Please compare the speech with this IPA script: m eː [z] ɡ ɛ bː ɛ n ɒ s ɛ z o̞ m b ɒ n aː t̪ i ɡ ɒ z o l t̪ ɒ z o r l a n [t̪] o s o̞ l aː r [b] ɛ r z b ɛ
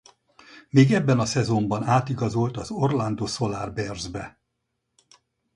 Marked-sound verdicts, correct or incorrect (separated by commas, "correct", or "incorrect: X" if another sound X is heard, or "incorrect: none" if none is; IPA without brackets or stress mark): incorrect: none, incorrect: d̪, correct